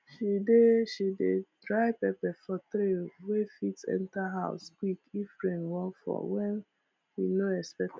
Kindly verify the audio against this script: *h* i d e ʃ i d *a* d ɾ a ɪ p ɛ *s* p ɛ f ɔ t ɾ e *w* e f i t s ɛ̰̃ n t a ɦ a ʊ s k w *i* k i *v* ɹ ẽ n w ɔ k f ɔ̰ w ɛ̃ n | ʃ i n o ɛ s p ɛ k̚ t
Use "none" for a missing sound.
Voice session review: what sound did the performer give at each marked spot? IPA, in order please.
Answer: ʃ, e, none, w, i, f

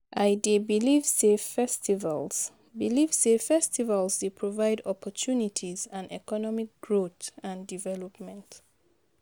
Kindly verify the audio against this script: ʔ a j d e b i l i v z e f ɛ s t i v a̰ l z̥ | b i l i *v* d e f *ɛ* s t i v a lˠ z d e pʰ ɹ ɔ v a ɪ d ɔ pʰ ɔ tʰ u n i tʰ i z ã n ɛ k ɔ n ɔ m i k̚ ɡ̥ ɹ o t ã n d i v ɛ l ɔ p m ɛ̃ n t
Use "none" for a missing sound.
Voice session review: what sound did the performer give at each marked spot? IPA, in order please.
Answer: v, ɛ

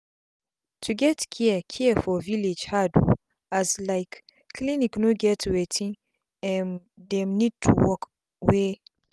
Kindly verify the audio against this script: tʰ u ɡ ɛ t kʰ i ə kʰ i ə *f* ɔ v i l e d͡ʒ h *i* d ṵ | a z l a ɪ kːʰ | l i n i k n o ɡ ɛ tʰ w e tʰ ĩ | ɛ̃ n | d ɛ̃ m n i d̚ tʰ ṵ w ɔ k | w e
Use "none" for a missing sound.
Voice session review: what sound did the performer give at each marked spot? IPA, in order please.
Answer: f, a

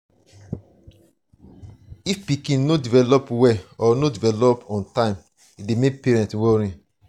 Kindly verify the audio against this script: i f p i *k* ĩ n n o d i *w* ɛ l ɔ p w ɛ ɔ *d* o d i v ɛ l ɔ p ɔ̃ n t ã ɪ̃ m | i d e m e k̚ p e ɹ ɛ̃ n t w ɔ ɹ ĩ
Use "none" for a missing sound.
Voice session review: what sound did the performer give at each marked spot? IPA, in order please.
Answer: k, v, n

